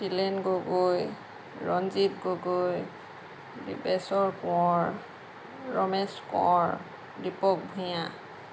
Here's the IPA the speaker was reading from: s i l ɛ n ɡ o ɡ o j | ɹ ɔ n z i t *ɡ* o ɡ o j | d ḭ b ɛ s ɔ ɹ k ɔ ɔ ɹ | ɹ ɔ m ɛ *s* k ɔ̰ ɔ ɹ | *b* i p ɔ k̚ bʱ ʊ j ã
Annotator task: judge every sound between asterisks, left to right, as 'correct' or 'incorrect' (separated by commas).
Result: correct, correct, incorrect